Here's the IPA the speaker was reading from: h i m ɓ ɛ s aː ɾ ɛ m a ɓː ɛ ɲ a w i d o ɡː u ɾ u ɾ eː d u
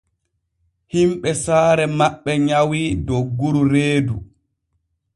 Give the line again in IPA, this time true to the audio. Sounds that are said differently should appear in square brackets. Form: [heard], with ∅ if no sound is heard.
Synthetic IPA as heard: h i m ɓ ɛ s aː ɾ ɛ m a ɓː ɛ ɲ a w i d o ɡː u ɾ u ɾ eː d u